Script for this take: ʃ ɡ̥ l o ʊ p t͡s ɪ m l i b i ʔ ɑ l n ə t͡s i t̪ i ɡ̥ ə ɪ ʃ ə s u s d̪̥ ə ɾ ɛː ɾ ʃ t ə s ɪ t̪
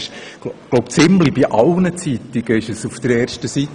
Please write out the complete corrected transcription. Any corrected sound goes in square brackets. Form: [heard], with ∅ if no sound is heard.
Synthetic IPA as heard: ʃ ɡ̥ l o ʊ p t͡s ɪ m l i b i ʔ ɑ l n ə t͡s i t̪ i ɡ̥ ə ɪ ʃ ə s u [f] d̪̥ ə ɾ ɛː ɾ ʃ t ə s [i] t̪